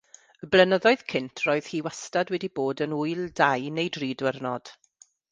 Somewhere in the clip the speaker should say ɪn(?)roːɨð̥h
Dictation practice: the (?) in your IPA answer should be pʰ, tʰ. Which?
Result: tʰ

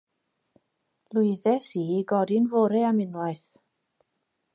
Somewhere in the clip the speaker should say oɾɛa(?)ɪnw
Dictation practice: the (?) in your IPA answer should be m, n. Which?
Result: m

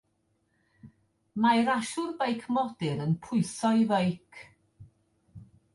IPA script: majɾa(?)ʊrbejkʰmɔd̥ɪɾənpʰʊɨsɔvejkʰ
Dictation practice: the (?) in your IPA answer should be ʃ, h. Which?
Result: ʃ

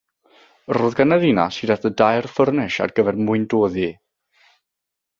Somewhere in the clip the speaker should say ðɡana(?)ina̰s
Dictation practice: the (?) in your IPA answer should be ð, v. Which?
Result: ð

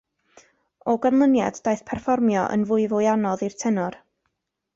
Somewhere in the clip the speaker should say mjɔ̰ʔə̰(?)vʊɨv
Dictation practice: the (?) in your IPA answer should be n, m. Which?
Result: n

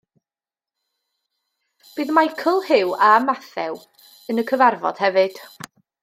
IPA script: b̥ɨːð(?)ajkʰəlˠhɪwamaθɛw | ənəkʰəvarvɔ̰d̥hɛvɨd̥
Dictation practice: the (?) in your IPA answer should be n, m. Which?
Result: m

